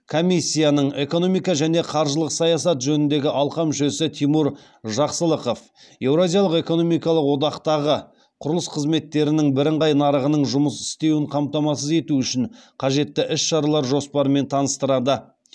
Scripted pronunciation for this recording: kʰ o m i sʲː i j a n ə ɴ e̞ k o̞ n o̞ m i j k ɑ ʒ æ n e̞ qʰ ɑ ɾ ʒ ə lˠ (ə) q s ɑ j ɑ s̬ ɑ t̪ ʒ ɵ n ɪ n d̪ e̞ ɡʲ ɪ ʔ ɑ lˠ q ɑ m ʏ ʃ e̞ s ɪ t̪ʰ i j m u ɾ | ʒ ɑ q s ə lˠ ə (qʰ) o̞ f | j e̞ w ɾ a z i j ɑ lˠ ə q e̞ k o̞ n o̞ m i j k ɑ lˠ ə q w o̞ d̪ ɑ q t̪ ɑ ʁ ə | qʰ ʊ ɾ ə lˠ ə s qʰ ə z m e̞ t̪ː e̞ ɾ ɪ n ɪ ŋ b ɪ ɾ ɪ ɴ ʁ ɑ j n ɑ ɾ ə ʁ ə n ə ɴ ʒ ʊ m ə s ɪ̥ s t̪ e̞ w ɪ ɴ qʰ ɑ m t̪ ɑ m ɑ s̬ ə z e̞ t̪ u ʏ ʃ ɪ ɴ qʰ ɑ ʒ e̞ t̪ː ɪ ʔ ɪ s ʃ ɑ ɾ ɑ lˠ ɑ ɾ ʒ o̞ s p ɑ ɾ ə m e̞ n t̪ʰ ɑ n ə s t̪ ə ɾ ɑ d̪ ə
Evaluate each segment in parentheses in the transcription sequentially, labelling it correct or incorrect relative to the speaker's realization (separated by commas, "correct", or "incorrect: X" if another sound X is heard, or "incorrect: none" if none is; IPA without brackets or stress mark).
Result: correct, incorrect: q